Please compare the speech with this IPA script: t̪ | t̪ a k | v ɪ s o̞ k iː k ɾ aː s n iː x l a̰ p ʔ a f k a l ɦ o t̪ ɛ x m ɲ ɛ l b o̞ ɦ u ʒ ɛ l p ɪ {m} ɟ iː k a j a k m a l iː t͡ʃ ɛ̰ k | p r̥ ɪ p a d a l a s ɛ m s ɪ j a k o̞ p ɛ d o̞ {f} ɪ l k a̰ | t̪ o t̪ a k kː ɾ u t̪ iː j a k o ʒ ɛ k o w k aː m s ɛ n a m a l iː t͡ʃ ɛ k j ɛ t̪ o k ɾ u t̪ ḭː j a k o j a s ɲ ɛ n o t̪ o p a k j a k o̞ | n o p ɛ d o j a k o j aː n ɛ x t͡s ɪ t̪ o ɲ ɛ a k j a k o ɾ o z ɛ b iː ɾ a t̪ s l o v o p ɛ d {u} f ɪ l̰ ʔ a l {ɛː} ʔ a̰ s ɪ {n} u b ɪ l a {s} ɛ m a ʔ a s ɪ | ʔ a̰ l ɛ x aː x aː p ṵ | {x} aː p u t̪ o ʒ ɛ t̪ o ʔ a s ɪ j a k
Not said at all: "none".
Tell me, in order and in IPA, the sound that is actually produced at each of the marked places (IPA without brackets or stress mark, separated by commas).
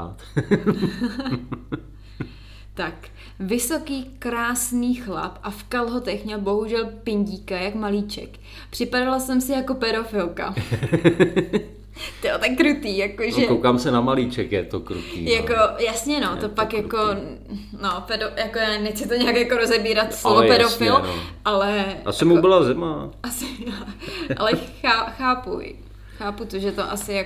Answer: ɲ, f, o, ɛ, m, z, x